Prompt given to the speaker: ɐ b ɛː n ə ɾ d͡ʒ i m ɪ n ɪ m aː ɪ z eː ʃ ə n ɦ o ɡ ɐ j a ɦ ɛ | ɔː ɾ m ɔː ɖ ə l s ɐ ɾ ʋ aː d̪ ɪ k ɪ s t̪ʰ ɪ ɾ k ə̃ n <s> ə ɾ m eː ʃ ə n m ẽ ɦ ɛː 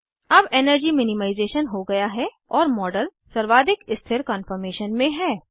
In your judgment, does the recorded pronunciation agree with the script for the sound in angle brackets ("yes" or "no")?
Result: no